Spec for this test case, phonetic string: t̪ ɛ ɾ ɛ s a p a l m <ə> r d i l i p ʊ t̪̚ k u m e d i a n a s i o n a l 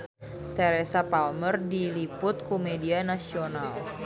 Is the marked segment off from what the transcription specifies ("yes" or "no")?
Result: no